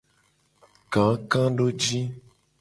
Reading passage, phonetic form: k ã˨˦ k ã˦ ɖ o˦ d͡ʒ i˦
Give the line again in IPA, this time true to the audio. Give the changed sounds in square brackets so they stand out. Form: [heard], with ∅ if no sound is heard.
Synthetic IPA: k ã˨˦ k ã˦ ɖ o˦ d͡ʒ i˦

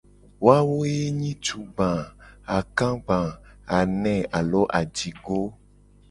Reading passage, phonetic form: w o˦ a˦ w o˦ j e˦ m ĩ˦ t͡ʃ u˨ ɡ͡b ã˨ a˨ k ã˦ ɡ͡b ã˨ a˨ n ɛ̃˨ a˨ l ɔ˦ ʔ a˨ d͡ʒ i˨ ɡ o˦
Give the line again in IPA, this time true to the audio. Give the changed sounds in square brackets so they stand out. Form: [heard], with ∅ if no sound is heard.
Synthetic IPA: w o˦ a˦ w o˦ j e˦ [ɲ] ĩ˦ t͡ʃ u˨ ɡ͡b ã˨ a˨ k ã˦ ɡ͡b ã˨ a˨ n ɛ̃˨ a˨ l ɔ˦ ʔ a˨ d͡ʒ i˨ ɡ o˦

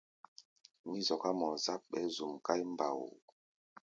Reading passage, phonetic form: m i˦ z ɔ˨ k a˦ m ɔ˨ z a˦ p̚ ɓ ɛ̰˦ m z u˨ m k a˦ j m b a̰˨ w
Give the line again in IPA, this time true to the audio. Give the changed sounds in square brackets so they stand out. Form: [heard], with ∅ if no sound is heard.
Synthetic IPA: m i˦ z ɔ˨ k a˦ m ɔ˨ z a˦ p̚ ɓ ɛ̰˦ [∅] z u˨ m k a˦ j m b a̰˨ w

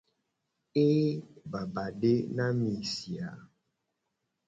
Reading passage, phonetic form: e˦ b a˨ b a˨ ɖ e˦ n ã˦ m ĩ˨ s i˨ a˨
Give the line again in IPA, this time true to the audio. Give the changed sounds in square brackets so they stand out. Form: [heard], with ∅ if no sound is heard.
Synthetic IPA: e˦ b a˨ b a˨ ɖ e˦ n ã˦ m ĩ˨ s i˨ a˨

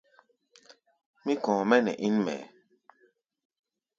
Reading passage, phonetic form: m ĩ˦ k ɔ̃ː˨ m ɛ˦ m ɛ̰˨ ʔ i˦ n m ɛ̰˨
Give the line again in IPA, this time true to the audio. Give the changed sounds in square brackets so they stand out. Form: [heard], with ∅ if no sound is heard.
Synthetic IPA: m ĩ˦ k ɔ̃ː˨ m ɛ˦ [n] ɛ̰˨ ʔ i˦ n m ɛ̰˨

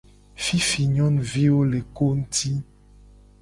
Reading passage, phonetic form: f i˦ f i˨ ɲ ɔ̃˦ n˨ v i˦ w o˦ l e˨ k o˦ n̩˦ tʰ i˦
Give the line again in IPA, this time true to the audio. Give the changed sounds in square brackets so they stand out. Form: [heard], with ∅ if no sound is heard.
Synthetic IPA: f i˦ f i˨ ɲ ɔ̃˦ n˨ v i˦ w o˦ l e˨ k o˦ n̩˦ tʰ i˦

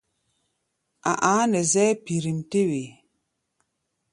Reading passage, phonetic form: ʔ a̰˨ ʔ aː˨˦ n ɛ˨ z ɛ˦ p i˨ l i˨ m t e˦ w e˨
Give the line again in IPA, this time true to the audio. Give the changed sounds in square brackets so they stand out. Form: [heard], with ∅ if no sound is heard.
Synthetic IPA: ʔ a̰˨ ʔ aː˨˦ n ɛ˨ z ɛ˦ p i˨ [ɾ] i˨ m t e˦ w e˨

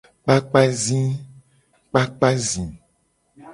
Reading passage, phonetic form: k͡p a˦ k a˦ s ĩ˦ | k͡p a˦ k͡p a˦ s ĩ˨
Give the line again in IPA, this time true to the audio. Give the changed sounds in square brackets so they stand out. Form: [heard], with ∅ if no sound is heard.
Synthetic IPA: k͡p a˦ [k͡p] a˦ [z] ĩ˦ | k͡p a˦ k͡p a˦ [z] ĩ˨

